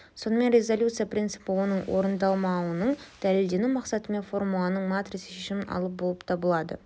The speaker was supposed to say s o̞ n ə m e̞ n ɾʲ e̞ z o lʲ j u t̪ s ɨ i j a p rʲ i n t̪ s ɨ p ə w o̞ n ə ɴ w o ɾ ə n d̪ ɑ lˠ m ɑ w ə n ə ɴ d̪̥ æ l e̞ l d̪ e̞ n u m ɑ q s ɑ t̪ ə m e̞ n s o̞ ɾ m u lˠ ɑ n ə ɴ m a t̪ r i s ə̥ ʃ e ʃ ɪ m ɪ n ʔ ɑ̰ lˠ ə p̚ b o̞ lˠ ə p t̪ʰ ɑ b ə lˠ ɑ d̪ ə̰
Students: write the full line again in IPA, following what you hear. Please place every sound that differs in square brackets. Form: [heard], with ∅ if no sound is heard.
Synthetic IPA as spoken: s o̞ n ə m e̞ n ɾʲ e̞ z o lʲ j u t̪ s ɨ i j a p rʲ i n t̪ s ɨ p ə w o̞ n ə ɴ w o ɾ ə n d̪ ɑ lˠ m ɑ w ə n ə ɴ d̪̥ æ l e̞ l d̪ e̞ n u m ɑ q s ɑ t̪ ə m e̞ n [f] o̞ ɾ m u lˠ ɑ n ə ɴ m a t̪ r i s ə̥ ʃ e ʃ ɪ m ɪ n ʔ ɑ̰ lˠ ə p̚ b o̞ lˠ ə p t̪ʰ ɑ b ə lˠ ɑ d̪ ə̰